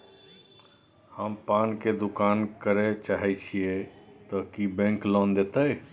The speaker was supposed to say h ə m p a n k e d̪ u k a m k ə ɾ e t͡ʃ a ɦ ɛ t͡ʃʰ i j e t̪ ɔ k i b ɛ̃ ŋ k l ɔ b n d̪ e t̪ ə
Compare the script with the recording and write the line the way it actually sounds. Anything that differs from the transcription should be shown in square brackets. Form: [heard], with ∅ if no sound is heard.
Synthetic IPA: h ə m p a n k e d̪ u k a [n] k ə ɾ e t͡ʃ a ɦ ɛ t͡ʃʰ i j e t̪ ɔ k i b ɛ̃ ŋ k l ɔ [∅] n d̪ e t̪ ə